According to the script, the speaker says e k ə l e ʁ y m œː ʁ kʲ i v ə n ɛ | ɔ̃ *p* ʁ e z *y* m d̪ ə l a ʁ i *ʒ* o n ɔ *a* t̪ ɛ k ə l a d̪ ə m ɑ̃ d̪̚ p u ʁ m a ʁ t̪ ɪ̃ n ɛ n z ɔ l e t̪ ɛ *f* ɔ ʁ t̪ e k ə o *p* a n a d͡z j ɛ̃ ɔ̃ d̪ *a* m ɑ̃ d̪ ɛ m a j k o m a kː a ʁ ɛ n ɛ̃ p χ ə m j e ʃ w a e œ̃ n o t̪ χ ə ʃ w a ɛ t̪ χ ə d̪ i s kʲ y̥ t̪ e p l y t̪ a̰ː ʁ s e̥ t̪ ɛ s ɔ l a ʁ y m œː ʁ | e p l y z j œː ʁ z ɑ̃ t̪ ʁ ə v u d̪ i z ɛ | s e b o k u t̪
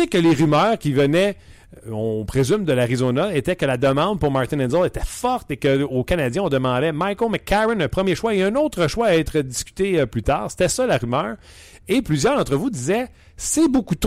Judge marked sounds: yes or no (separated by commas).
yes, yes, no, no, yes, no, no